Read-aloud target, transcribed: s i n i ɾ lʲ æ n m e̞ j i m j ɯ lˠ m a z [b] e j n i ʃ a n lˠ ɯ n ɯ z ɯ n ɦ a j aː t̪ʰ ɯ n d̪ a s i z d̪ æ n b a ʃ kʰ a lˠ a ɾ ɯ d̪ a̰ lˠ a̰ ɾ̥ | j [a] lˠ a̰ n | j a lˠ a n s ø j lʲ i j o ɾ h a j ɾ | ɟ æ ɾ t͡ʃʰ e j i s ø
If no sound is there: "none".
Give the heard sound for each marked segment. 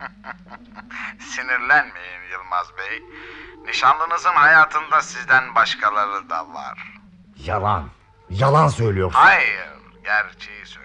b, a

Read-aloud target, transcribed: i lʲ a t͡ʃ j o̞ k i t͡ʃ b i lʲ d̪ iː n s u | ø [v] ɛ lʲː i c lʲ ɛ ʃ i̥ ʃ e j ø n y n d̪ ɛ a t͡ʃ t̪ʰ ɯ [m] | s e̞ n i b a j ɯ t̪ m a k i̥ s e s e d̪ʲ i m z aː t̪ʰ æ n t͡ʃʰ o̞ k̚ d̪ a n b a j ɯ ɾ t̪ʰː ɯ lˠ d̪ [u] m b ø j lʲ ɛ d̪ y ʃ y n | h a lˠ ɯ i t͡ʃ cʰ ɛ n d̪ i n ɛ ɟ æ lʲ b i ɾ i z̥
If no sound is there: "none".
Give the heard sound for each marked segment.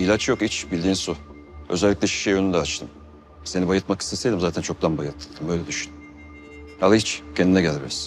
z, m, ɯ

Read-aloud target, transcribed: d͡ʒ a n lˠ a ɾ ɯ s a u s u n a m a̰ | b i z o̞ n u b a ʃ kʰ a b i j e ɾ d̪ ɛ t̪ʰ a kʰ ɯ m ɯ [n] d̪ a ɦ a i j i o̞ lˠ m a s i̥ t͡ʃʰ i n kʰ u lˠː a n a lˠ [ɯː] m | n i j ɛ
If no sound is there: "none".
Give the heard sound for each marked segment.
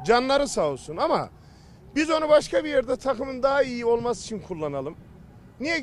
n, ɯ

